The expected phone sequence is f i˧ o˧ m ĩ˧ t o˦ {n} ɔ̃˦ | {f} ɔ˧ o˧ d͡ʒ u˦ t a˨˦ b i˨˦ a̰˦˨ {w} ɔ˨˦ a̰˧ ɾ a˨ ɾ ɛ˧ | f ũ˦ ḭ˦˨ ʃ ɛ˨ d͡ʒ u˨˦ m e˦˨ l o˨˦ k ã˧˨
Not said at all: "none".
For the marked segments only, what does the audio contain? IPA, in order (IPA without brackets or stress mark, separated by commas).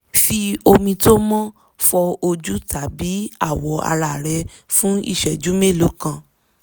m, f, w